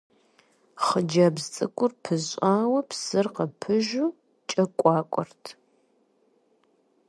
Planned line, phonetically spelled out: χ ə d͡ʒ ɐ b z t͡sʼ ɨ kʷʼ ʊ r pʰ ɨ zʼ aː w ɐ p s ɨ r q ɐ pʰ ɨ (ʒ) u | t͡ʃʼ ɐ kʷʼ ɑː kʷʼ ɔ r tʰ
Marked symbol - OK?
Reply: yes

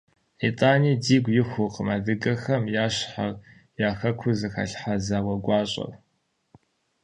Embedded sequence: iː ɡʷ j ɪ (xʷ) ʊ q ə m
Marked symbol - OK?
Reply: yes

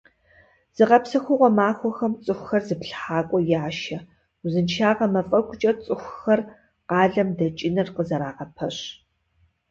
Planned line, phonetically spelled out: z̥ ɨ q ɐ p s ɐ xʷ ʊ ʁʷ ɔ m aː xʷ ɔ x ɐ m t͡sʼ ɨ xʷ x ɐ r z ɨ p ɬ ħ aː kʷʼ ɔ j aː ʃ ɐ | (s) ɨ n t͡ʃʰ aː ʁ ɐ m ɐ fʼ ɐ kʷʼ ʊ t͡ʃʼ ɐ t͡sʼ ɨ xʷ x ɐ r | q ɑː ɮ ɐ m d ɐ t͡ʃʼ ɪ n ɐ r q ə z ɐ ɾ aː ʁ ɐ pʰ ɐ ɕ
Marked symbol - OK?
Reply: no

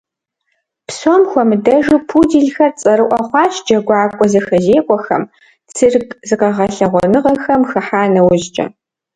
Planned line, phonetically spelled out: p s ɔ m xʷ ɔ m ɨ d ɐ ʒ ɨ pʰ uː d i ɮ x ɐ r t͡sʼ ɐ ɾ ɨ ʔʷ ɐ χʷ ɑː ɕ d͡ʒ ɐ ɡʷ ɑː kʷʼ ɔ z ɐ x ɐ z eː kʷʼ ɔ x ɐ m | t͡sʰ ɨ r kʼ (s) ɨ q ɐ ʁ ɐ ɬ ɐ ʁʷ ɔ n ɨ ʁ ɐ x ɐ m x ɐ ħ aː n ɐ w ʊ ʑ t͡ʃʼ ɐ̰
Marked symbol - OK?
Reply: no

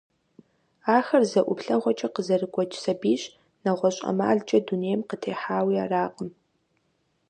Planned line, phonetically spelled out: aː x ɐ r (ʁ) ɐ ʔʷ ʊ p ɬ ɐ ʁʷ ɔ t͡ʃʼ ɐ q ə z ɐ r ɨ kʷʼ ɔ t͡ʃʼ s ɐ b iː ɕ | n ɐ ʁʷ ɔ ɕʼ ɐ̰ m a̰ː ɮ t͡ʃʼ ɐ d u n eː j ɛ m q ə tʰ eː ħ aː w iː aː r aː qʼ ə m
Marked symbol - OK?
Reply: no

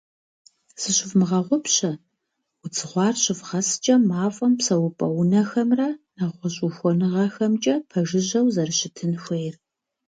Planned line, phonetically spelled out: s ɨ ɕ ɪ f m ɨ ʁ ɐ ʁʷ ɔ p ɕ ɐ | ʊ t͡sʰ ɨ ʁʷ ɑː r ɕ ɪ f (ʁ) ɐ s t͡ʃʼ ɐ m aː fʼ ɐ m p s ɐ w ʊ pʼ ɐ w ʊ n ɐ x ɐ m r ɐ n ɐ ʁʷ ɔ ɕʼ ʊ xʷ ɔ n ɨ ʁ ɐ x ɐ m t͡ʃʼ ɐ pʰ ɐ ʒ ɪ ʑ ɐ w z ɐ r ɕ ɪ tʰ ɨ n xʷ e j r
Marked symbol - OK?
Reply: yes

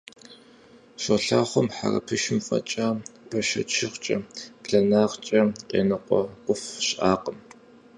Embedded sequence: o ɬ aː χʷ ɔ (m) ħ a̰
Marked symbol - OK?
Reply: yes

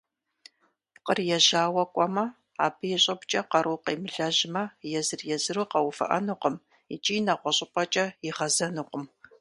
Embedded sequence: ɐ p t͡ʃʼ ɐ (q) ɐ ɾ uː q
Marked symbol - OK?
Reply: yes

